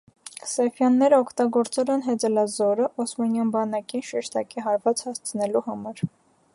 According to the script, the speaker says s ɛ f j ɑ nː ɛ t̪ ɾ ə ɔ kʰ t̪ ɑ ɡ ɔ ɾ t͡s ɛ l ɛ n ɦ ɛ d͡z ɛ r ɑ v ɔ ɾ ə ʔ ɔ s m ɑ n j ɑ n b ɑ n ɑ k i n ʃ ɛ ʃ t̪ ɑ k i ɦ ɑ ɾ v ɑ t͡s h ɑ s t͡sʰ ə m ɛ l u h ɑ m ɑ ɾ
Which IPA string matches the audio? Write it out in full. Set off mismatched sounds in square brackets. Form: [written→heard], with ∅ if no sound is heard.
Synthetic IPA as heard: s ɛ f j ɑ nː ɛ [t̪→∅] ɾ ə ɔ kʰ t̪ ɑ ɡ ɔ ɾ t͡s ɛ l ɛ n ɦ ɛ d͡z ɛ [r→l] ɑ [v→z] ɔ ɾ ə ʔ ɔ s m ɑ n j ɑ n b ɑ n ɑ k i n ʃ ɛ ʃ t̪ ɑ k i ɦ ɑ ɾ v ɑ t͡s h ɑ s t͡sʰ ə [m→n] ɛ l u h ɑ m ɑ ɾ

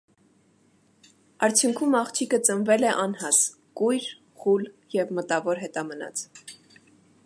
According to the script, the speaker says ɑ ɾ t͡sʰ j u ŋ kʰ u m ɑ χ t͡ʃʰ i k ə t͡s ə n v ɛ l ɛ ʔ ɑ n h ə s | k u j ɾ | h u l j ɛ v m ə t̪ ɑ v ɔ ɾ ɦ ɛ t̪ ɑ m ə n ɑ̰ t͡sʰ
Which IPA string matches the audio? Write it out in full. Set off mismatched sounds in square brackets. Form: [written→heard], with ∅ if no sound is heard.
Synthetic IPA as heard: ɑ ɾ t͡sʰ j u ŋ kʰ u m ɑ χ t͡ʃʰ i k ə t͡s ə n v ɛ l ɛ ʔ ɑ n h [ə→ɑ] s | k u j ɾ | [h→χ] u l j ɛ v m ə t̪ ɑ v ɔ ɾ ɦ ɛ t̪ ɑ m ə n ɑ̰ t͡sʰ

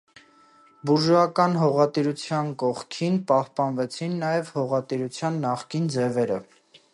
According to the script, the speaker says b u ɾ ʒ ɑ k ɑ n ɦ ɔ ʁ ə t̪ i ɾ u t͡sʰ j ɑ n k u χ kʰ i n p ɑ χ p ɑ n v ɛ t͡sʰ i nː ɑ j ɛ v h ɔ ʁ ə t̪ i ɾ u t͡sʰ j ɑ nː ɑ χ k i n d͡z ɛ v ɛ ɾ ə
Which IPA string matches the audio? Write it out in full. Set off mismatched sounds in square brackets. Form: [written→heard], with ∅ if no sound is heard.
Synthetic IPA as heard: b u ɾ ʒ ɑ k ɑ n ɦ ɔ ʁ [ə→ɑ] t̪ i ɾ u t͡sʰ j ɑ n k [u→ɔ] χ kʰ i n p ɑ [χ→h] p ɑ n v ɛ t͡sʰ i nː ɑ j ɛ v h ɔ ʁ [ə→ɑ] t̪ i ɾ u t͡sʰ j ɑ nː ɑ χ k i n d͡z ɛ v ɛ ɾ ə

